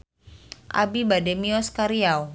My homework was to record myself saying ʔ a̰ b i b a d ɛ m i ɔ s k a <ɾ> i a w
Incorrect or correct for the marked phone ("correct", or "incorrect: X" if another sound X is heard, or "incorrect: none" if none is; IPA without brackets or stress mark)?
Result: correct